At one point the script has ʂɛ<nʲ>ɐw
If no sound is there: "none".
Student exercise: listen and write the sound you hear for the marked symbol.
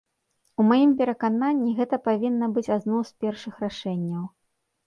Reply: nʲː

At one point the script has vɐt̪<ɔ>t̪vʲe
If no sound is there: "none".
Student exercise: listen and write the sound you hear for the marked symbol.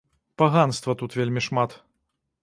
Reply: u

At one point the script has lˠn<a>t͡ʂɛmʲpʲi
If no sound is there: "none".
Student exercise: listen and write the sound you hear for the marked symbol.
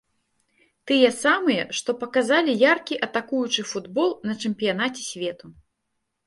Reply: ɐ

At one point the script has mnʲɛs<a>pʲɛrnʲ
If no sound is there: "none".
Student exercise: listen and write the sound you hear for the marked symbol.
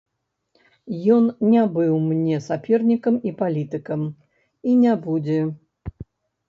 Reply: a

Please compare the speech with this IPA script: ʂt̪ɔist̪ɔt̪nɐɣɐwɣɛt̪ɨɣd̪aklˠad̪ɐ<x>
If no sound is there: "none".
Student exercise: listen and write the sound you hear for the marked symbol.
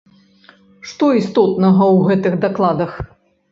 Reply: x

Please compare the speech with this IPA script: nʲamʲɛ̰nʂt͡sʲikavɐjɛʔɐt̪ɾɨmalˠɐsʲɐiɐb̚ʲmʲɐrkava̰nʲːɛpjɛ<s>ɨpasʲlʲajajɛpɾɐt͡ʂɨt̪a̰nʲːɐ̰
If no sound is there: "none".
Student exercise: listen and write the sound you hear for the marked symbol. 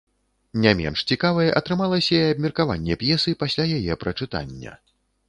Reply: s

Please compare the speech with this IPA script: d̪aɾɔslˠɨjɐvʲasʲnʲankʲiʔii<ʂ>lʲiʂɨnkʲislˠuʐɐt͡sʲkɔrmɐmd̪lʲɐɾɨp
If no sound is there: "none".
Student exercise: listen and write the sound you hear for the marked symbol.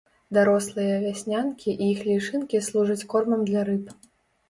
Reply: x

